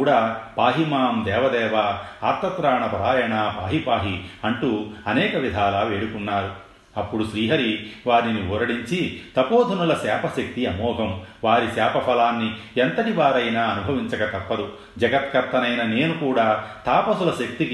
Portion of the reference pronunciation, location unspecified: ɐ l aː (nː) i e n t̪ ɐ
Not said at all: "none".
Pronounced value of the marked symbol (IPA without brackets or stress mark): nː